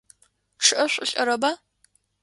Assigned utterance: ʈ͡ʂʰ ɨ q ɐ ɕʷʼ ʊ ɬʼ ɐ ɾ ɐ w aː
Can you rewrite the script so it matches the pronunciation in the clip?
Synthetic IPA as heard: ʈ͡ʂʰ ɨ ʔ ɐ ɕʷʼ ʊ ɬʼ ɐ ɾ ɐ b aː